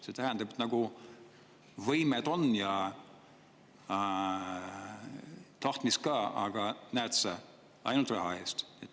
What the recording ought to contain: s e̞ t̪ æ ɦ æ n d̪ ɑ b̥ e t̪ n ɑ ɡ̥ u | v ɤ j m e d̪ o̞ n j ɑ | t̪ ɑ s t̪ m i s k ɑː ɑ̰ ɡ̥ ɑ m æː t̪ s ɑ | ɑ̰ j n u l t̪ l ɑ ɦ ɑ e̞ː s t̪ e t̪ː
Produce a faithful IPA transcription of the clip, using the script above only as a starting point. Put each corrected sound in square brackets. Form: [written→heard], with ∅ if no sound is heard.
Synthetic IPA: s e̞ t̪ æ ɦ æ n d̪ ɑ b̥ e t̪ n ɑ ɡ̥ u | v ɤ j m e d̪ o̞ n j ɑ | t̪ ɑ [s→h] t̪ m i s k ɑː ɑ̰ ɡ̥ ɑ [m→n] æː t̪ s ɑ | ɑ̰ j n u l t̪ [l→r] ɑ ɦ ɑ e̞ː s t̪ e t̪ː